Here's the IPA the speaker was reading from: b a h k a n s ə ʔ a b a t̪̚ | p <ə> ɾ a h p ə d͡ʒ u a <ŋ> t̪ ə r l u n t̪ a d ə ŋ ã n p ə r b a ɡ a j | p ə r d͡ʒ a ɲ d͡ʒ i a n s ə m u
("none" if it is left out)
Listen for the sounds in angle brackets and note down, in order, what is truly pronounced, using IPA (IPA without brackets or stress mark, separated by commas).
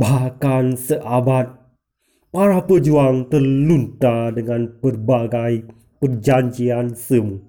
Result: a, ŋ